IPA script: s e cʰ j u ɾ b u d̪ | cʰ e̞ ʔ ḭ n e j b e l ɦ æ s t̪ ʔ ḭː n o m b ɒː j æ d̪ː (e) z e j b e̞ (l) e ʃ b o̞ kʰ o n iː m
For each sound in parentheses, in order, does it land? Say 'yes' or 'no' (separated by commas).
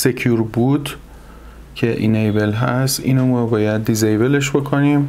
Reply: no, yes